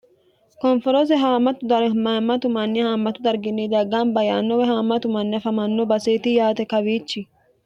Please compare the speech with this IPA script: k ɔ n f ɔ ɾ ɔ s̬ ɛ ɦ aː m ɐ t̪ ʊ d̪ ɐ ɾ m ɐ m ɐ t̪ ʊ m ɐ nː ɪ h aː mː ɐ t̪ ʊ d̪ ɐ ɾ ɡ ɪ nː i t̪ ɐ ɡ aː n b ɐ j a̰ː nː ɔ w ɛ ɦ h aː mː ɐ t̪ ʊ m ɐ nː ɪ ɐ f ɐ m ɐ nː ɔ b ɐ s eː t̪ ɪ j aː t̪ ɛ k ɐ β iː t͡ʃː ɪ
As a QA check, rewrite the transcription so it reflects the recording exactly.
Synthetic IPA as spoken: k ɔ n f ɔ ɾ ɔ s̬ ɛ ɦ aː m ɐ t̪ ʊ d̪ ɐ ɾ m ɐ m ɐ t̪ ʊ m ɐ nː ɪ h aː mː ɐ t̪ ʊ d̪ ɐ ɾ ɡ ɪ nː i d̪ ɐ ɡ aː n b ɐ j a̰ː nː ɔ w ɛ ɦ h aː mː ɐ t̪ ʊ m ɐ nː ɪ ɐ f ɐ m ɐ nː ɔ b ɐ s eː t̪ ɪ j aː t̪ ɛ k ɐ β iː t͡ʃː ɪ